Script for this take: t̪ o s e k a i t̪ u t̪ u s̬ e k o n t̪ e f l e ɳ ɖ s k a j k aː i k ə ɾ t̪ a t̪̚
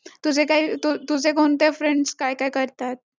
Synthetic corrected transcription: t̪ u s e k a i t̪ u t̪ u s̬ e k o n t̪ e f ɾ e ɳ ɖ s k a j k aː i k ə ɾ t̪ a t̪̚